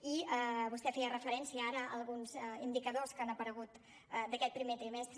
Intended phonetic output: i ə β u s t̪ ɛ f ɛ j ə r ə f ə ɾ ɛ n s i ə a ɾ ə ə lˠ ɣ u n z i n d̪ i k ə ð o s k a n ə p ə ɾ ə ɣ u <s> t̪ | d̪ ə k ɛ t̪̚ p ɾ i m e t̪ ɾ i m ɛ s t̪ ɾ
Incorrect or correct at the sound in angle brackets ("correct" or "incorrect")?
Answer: incorrect